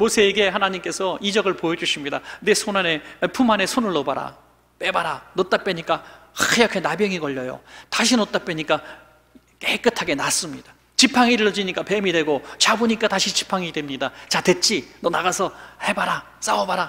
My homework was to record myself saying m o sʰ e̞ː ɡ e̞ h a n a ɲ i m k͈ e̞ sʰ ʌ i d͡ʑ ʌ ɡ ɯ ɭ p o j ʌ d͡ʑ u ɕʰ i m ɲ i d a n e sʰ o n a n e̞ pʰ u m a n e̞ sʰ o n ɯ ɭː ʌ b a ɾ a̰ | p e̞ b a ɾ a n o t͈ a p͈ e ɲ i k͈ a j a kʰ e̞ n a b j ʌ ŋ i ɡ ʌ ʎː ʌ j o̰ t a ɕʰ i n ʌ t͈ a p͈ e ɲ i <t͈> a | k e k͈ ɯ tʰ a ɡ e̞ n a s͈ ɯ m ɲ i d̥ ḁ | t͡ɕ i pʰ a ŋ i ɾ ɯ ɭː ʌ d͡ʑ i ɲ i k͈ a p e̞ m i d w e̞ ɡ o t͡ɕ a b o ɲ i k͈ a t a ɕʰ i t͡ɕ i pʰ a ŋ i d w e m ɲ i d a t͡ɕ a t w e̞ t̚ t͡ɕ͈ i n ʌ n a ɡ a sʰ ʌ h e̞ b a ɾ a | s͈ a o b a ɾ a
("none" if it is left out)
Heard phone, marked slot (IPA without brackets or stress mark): k͈